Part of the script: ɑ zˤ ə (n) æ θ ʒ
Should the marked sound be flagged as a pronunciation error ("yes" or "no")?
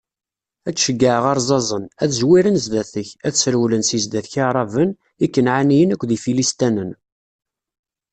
no